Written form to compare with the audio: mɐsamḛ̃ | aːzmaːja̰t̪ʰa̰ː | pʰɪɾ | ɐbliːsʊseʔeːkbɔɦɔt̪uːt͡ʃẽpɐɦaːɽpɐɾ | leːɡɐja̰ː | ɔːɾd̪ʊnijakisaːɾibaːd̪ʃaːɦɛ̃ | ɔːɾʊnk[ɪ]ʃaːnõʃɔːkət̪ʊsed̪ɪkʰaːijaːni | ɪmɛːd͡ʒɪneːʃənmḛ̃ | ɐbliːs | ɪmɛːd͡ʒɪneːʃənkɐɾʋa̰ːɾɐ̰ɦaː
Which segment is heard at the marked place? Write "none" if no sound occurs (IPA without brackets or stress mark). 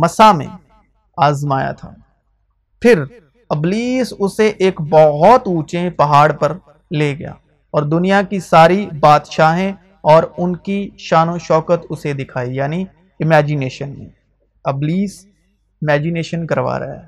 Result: i